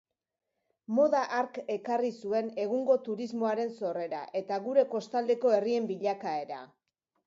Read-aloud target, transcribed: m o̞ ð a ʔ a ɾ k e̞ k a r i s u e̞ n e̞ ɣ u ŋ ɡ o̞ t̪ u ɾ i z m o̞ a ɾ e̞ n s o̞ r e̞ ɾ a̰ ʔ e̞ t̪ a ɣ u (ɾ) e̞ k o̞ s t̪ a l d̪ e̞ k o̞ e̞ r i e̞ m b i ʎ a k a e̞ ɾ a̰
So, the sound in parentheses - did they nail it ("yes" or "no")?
yes